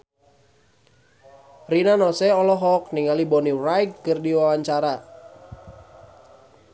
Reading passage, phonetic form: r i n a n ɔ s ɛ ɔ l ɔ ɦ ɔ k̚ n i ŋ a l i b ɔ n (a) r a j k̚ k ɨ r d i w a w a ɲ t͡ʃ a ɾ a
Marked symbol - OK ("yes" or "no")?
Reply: no